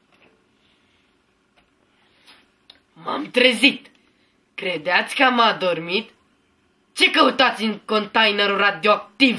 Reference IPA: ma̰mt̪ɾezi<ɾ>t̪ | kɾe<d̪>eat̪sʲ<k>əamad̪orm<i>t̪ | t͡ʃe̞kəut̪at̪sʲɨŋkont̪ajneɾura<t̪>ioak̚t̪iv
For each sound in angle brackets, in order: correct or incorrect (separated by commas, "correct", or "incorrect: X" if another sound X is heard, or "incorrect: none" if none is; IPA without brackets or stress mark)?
incorrect: none, correct, correct, correct, incorrect: d̪